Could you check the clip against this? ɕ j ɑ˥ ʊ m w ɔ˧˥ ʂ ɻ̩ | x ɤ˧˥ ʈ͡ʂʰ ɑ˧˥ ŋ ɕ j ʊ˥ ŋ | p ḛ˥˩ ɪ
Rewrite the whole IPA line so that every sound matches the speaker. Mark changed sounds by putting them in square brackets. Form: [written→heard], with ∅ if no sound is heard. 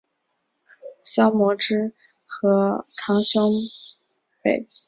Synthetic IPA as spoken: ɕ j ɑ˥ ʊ m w ɔ˧˥ [ʂ→ʈ͡ʂ] ɻ̩ | x ɤ˧˥ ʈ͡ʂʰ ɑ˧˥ ŋ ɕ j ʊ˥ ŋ | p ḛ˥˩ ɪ